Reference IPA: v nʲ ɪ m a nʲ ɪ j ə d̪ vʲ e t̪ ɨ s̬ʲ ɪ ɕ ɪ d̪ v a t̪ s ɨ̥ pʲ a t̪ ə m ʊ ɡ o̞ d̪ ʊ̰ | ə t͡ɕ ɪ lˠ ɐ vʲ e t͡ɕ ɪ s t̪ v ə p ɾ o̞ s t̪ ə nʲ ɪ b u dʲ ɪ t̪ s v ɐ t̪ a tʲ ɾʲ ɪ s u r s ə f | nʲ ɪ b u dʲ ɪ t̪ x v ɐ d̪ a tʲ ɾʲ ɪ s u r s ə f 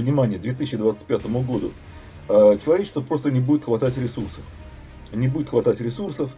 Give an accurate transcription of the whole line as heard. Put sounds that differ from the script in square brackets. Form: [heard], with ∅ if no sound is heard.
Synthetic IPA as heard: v nʲ ɪ m a nʲ ɪ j ə d̪ vʲ e t̪ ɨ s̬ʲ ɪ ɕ ɪ d̪ v a t̪ s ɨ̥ pʲ a t̪ ə m ʊ ɡ o̞ d̪ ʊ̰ | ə t͡ɕ ɪ lˠ ɐ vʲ e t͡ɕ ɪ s t̪ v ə p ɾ o̞ s t̪ ə nʲ ɪ b u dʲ ɪ t̪ [x] v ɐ t̪ a tʲ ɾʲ ɪ s u r s ə f | nʲ ɪ b u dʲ ɪ t̪ x v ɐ [t̪] a tʲ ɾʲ ɪ s u r s ə f